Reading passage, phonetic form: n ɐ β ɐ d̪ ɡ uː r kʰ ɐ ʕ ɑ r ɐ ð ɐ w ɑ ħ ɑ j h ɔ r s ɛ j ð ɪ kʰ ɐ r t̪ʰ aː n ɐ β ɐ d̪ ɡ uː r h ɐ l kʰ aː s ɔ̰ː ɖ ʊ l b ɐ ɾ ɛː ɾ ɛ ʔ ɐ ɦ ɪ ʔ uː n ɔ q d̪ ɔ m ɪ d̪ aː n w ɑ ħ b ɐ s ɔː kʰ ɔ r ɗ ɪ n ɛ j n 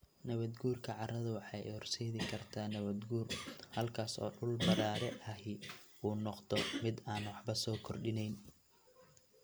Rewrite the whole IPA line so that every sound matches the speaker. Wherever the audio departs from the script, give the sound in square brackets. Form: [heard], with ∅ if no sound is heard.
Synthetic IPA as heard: n ɐ β ɐ d̪ ɡ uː r kʰ ɐ ʕ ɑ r ɐ ð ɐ w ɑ ħ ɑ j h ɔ r s ɛ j ð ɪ kʰ ɐ r t̪ʰ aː n ɐ β ɐ d̪ ɡ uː r h ɐ l kʰ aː s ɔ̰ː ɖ ʊ l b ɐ ɾ [aː] ɾ ɛ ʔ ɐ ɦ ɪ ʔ uː n ɔ q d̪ ɔ m ɪ d̪ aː n w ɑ ħ b ɐ s ɔː kʰ ɔ r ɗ ɪ n ɛ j n